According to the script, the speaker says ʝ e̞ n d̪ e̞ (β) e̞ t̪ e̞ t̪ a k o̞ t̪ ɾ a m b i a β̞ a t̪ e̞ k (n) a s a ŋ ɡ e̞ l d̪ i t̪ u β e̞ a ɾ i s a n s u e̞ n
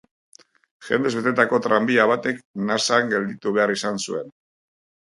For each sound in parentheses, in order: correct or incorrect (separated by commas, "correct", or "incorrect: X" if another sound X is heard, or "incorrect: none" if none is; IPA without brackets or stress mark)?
correct, correct